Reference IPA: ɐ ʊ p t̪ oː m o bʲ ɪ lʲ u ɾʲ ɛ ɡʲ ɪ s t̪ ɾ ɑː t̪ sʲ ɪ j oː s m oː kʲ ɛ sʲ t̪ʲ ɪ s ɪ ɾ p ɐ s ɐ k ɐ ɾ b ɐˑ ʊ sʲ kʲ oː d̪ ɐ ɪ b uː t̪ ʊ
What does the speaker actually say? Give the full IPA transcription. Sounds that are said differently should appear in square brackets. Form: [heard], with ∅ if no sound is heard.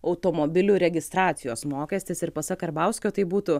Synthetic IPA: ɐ ʊ [∅] t̪ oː m o bʲ ɪ lʲ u ɾʲ ɛ ɡʲ ɪ s t̪ ɾ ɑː t̪ sʲ ɪ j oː s m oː kʲ ɛ sʲ t̪ʲ ɪ s ɪ ɾ p ɐ s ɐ k ɐ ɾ b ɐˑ ʊ sʲ kʲ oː [t̪] ɐ ɪ b uː t̪ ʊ

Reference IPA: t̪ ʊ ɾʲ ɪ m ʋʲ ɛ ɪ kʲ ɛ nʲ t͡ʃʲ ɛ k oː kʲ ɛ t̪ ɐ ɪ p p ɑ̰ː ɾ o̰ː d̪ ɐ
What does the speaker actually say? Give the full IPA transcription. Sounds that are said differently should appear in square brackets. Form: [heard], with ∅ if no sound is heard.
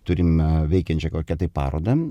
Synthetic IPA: t̪ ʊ ɾʲ ɪ m ʋʲ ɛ ɪ kʲ ɛ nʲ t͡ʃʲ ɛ k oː kʲ ɛ t̪ ɐ ɪ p p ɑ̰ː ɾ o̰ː d̪ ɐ

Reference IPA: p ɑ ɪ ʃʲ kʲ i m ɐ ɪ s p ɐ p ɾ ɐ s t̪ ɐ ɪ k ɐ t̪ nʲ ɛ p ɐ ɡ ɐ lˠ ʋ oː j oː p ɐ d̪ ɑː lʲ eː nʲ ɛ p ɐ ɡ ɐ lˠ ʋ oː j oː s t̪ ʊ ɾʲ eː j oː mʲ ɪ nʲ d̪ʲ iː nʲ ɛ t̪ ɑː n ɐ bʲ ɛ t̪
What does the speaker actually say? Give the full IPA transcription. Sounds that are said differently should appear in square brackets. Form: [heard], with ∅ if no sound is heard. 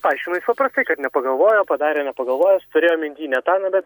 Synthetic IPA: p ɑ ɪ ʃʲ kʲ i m ɐ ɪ s p ɐ p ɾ ɐ s t̪ ɐ ɪ k ɐ t̪ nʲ ɛ p ɐ ɡ ɐ lˠ ʋ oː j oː p ɐ d̪ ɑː [ɾʲ] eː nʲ ɛ p ɐ ɡ ɐ lˠ ʋ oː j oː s t̪ ʊ ɾʲ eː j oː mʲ ɪ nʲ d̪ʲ iː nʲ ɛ t̪ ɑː n ɐ bʲ ɛ t̪

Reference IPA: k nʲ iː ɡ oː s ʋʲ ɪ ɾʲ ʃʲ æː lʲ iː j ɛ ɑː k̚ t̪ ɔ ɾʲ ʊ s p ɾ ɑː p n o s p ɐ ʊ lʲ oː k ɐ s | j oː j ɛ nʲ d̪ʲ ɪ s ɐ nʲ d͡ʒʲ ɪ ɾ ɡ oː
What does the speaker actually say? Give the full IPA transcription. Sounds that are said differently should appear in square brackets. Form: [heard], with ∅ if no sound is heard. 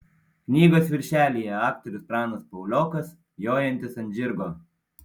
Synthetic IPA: k nʲ iː ɡ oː s ʋʲ ɪ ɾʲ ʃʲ æː lʲ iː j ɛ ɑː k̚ t̪ ɔ ɾʲ ʊ s p ɾ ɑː [∅] n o s p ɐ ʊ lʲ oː k ɐ s | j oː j ɛ nʲ [t̪ʲ] ɪ s ɐ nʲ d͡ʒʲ ɪ ɾ ɡ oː

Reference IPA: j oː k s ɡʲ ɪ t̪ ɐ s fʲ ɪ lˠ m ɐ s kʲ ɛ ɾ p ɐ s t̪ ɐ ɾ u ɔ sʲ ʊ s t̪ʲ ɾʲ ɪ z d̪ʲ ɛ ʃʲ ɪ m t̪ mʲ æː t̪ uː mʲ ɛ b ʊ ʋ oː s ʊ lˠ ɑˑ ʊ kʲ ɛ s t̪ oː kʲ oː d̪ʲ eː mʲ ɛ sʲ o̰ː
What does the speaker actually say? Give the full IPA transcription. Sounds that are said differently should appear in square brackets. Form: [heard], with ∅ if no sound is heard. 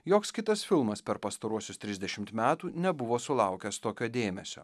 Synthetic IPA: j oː k s [kʲ] ɪ t̪ ɐ s fʲ ɪ lˠ m ɐ s [pʲ] ɛ ɾ p ɐ s t̪ ɐ ɾ u ɔ sʲ ʊ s t̪ʲ ɾʲ ɪ z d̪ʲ ɛ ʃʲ ɪ m t̪ mʲ æː t̪ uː [nʲ] ɛ b ʊ ʋ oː s ʊ lˠ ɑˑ ʊ kʲ ɛ s t̪ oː kʲ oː d̪ʲ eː mʲ ɛ sʲ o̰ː

